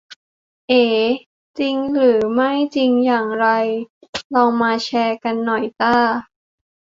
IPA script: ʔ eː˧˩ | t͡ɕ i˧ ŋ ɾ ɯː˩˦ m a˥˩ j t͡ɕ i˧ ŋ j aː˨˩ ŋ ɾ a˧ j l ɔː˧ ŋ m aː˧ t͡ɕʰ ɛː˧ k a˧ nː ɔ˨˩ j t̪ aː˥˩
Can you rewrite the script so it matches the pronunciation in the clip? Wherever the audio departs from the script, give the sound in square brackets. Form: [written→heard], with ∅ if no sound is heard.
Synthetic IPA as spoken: ʔ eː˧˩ | t͡ɕ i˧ ŋ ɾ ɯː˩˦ m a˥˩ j t͡ɕ i˧ ŋ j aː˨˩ ŋ ɾ a˧ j l ɔː˧ ŋ m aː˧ t͡ɕʰ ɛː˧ k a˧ nː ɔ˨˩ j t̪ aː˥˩